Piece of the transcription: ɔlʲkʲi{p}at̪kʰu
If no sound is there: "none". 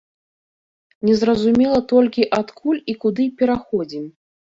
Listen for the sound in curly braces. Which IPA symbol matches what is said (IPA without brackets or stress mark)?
ʔ